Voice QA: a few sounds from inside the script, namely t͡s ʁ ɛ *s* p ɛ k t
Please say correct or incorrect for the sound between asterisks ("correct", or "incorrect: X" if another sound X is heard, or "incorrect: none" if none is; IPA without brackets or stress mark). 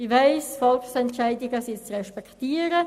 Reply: incorrect: ʃ